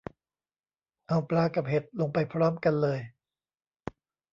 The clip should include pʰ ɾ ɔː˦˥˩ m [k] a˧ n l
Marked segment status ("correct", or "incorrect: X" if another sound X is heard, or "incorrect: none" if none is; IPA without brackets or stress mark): correct